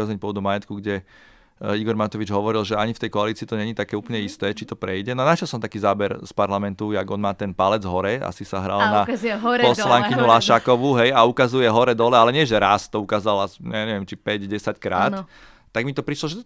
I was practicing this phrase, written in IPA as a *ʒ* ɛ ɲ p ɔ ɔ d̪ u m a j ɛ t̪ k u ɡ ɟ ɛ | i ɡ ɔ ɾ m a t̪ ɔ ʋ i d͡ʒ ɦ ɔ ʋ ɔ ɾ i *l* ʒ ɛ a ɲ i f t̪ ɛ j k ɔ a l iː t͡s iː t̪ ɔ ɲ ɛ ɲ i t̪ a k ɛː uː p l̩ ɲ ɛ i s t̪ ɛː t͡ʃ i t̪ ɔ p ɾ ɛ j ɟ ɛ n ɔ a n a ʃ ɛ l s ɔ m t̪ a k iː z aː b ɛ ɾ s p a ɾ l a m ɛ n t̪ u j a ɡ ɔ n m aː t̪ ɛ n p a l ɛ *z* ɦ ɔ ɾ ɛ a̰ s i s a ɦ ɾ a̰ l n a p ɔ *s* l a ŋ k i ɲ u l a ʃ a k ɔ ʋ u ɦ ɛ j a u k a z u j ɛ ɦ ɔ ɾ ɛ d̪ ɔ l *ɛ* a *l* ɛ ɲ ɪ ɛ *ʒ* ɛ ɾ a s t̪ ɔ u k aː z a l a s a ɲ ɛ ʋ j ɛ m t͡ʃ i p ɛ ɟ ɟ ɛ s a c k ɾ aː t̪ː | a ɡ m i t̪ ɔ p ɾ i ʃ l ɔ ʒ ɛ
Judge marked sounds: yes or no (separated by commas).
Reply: no, yes, no, yes, yes, yes, yes